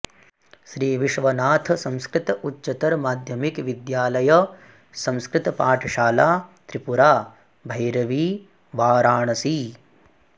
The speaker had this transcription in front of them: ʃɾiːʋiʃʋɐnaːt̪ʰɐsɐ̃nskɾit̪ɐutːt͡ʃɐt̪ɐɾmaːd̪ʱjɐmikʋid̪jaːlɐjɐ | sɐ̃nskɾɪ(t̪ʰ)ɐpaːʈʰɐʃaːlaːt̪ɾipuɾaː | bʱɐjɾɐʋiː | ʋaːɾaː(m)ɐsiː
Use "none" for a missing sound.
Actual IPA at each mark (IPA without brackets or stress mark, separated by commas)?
t̪, ɳ